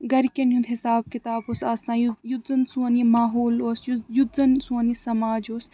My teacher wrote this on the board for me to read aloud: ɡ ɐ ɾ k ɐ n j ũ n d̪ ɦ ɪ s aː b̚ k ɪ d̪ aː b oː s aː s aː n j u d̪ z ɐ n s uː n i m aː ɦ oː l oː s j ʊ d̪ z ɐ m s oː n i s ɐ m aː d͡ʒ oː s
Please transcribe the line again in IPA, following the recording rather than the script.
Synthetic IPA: ɡ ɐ ɾ k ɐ n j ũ n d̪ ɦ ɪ s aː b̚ k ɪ t̪ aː b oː s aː s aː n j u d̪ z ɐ n s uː n i m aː ɦ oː l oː s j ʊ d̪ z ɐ n s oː n i s ɐ m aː d͡ʒ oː s